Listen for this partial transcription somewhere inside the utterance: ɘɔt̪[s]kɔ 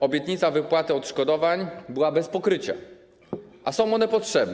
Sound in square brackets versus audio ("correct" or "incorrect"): incorrect